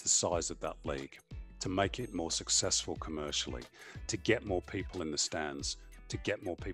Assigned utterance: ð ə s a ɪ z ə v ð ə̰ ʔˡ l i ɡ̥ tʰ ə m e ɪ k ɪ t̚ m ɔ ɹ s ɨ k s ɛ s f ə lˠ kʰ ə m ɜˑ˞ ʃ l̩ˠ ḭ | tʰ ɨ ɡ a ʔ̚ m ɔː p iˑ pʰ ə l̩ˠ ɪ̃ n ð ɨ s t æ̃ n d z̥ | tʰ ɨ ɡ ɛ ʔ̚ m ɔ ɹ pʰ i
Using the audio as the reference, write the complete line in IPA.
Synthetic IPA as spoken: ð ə s a ɪ z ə v ð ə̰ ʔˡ l i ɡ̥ tʰ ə m e ɪ k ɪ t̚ m ɔ ɹ s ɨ k s ɛ s f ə lˠ kʰ ə m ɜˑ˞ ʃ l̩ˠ ḭ | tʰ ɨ ɡ ɛ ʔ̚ m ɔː pʰ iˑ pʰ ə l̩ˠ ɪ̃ n ð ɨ s t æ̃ n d z̥ | tʰ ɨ ɡ ɛ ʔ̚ m ɔ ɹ pʰ i